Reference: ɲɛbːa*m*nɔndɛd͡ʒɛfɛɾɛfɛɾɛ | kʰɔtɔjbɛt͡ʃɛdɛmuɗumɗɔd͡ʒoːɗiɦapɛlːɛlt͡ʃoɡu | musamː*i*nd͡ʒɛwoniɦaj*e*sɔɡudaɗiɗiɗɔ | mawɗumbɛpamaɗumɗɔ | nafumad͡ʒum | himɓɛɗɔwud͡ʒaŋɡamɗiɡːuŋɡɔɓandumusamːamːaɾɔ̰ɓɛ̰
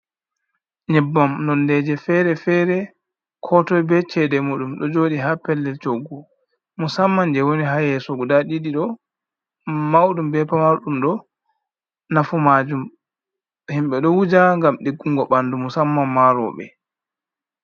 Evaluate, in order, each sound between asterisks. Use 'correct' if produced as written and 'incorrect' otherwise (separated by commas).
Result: correct, incorrect, incorrect